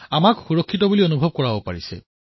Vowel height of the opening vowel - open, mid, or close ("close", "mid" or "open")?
open